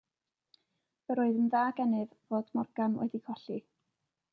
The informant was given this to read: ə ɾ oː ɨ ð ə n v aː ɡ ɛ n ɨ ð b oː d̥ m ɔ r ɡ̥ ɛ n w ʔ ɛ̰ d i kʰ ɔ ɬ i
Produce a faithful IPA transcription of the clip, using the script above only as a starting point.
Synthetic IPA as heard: ə ɾ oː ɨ ð ə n ð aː ɡ ɛ n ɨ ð v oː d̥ m ɔ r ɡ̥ a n w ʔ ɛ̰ d i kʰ ɔ ɬ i